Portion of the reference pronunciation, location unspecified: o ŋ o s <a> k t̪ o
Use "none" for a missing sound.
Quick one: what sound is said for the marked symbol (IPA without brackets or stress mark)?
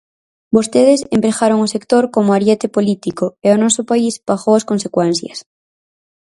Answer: e